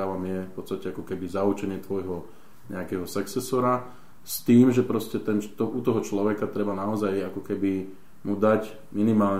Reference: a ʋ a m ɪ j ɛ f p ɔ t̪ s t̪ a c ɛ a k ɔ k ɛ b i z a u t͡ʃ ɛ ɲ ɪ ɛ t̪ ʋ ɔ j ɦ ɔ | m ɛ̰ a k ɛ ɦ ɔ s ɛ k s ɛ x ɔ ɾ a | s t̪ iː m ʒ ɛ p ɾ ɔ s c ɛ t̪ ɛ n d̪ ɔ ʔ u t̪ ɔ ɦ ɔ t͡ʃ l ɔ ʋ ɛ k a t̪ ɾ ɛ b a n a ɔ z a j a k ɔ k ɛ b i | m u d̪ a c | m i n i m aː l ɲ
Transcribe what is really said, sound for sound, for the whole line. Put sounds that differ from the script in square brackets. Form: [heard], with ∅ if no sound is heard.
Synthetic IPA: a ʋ a m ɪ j ɛ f p ɔ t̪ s t̪ a c ɛ a k ɔ k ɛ b i z a u t͡ʃ ɛ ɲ ɪ ɛ t̪ ʋ ɔ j ɦ ɔ | [ɲ] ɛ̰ a k ɛ ɦ ɔ s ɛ k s ɛ [s] ɔ ɾ a | s t̪ iː m ʒ ɛ p ɾ ɔ s c ɛ t̪ ɛ n [t̪] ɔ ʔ u t̪ ɔ ɦ ɔ t͡ʃ l ɔ ʋ ɛ k a t̪ ɾ ɛ b a n a ɔ z a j a k ɔ k ɛ b i | m u d̪ a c | m i n i m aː l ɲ